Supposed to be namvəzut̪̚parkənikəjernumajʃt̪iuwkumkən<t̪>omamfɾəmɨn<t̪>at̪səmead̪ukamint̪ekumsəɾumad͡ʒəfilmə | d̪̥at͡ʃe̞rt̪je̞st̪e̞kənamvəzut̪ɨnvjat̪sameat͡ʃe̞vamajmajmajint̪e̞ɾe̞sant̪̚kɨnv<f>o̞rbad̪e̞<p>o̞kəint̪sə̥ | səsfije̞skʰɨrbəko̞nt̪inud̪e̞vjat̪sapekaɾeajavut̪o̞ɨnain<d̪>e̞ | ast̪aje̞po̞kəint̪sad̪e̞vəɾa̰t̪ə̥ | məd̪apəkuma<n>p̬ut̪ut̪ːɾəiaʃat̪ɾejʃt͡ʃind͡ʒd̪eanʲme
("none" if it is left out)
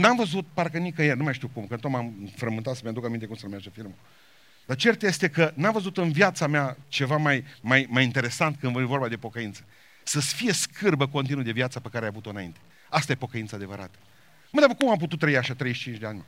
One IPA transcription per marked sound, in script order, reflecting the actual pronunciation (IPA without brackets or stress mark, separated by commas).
t̪, t̪, v, p, t̪, m